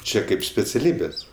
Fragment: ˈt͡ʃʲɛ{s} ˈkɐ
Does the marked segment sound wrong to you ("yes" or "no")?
yes